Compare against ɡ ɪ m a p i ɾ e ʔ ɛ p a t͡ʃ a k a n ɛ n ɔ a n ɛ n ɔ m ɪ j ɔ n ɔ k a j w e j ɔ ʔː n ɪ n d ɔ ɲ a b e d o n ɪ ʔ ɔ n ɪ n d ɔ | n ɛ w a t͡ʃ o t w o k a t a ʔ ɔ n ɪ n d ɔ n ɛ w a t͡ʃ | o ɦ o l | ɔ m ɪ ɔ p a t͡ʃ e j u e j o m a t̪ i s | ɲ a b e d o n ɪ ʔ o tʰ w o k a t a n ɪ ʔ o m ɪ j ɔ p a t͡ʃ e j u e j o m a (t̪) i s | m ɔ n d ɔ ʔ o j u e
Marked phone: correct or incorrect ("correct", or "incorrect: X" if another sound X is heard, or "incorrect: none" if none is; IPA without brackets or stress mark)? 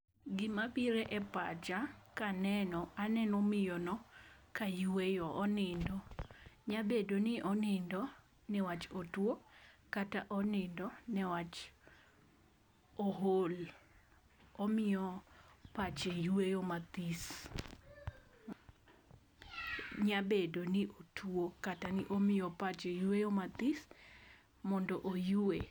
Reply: correct